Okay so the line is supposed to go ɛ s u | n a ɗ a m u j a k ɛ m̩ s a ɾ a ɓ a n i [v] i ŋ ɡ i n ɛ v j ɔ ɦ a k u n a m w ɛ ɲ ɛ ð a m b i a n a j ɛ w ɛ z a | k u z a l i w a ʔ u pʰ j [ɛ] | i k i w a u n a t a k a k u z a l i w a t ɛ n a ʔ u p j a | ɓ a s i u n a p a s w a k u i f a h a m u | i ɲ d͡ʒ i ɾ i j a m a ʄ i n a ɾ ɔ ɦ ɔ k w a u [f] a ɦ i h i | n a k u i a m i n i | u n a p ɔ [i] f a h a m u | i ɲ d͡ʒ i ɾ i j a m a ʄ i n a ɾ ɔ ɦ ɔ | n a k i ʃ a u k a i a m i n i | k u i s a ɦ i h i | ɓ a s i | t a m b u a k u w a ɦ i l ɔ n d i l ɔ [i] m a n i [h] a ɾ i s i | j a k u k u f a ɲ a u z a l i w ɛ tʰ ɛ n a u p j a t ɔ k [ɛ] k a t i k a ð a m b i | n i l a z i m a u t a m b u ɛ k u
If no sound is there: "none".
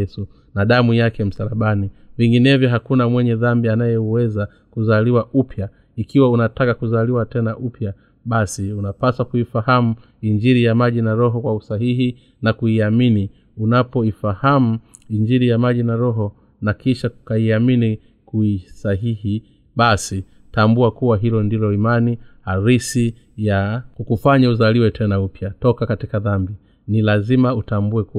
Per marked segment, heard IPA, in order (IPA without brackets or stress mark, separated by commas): v, a, s, i, i, h, a